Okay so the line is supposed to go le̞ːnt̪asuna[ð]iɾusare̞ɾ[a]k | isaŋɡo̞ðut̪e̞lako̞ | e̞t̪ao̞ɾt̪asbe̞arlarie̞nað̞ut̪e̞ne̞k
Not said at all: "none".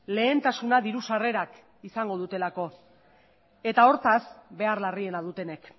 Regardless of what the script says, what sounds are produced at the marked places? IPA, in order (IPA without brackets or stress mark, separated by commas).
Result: ð, a